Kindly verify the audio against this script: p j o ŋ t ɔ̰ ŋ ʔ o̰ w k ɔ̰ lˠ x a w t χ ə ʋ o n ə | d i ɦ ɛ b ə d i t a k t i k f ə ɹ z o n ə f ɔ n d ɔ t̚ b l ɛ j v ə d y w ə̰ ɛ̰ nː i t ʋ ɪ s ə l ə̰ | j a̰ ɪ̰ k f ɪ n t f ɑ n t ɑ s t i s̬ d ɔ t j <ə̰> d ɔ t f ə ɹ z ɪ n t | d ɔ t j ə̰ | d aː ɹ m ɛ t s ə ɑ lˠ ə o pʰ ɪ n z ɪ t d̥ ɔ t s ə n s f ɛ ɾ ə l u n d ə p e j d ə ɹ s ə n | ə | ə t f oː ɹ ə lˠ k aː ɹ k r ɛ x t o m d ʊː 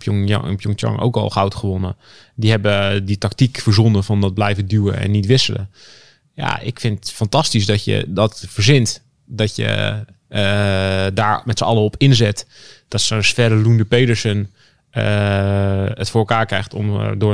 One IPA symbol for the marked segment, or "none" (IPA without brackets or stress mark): ə̰